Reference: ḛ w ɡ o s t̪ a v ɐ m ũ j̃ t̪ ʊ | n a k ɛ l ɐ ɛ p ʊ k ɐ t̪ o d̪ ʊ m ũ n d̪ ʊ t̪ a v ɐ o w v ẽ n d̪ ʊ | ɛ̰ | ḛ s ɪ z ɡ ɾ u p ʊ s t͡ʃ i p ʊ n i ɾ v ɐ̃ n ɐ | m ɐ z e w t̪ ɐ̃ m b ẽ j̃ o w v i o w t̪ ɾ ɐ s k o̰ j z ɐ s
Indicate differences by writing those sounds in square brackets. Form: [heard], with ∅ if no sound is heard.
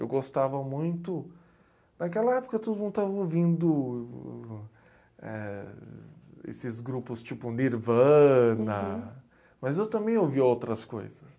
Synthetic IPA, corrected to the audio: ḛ w ɡ o s t̪ a v ɐ m ũ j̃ t̪ ʊ | n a k ɛ l ɐ ɛ p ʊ k ɐ t̪ o d̪ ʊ m ũ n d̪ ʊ t̪ a v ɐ o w v [ĩ] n d̪ ʊ | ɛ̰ | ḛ s ɪ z ɡ ɾ u p ʊ s t͡ʃ i p ʊ n i ɾ v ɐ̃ n ɐ | m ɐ z e w t̪ ɐ̃ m b ẽ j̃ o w v i o w t̪ ɾ ɐ s k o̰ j z ɐ s